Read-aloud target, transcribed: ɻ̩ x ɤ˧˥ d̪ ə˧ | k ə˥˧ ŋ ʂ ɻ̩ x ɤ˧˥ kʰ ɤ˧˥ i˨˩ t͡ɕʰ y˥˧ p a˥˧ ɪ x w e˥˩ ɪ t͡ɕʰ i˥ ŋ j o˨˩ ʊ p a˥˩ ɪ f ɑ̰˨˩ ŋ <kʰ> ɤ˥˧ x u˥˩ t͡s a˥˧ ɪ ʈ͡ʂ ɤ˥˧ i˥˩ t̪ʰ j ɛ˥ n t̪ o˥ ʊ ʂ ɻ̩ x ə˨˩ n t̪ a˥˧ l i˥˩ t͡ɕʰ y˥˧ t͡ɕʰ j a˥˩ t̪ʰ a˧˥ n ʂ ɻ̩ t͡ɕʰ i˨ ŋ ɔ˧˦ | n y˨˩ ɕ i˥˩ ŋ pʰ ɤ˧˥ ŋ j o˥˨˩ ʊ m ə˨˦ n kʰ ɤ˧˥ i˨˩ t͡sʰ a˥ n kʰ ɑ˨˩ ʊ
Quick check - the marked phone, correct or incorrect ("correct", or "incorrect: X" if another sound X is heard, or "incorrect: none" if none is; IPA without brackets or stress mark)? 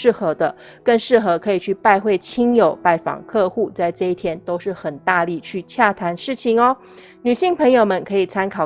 correct